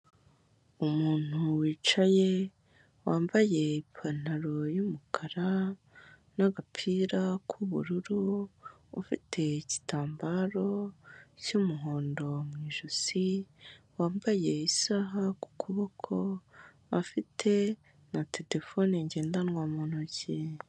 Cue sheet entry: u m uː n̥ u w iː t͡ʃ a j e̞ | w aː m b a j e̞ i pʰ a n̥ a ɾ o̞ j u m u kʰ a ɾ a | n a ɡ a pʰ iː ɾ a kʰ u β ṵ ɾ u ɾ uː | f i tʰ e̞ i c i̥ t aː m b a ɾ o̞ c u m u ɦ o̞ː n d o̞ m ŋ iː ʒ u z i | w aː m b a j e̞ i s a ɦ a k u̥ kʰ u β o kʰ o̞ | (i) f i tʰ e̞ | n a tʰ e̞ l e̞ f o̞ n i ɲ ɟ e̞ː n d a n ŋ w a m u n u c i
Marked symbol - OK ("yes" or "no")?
no